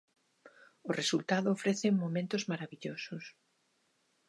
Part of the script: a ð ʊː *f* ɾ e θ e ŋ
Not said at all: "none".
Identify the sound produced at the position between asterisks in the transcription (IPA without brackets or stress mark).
f